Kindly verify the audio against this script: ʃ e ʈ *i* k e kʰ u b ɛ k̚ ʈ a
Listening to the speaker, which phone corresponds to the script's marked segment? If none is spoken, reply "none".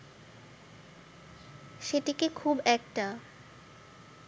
i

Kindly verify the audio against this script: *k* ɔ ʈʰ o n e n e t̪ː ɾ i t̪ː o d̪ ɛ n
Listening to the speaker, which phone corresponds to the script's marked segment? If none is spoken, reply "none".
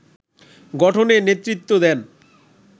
ɡ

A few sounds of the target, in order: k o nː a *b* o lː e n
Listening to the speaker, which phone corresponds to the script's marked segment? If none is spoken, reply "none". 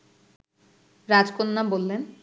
b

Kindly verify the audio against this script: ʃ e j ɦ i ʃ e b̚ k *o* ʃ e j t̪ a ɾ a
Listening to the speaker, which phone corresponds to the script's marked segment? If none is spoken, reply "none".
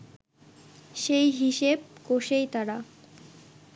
o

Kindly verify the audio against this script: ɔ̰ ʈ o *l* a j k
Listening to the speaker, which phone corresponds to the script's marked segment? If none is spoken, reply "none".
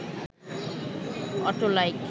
l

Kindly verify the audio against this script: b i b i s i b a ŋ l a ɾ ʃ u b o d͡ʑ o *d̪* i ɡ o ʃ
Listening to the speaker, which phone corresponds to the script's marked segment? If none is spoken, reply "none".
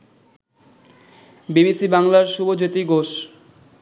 t̪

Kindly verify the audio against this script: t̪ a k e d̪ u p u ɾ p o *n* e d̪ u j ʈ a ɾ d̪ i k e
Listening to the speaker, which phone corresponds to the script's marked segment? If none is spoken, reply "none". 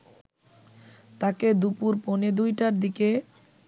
n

